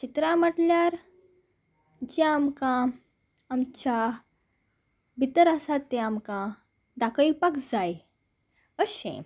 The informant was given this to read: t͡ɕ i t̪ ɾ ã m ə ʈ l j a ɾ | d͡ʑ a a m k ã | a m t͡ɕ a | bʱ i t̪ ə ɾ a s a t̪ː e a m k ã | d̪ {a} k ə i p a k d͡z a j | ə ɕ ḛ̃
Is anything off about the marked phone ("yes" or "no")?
no